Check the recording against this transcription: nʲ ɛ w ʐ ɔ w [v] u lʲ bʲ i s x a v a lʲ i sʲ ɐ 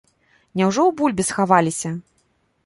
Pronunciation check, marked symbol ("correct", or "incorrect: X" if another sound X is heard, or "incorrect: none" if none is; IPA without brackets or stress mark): incorrect: b